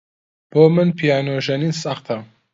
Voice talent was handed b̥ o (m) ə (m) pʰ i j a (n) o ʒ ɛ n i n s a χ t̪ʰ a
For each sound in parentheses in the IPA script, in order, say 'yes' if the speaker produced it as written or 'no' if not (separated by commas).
yes, no, yes